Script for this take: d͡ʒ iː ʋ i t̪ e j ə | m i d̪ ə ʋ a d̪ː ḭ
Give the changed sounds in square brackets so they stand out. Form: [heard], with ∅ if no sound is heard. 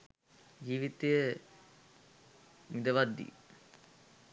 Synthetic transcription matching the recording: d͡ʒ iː ʋ i t̪ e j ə | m i d̪ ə ʋ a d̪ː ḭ